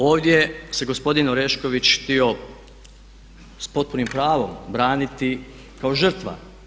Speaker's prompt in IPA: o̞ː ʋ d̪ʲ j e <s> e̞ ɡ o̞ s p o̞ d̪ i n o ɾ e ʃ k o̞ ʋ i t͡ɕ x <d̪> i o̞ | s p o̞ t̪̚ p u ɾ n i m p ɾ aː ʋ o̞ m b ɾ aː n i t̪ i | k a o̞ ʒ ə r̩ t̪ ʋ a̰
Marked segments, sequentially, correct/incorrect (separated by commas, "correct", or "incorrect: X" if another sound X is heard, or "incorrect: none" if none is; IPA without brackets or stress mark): correct, incorrect: t̪